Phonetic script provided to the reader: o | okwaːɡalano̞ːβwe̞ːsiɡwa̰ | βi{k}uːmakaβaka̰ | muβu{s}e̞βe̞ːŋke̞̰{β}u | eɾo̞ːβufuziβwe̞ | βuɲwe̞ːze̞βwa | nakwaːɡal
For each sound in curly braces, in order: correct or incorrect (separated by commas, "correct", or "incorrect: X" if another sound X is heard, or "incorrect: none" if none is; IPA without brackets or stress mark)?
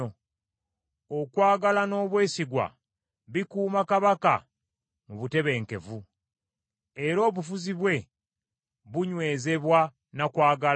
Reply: correct, incorrect: t, incorrect: v